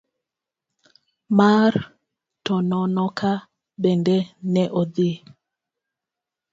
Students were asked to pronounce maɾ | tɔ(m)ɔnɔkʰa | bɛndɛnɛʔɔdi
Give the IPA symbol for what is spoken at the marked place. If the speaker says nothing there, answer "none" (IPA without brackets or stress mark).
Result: n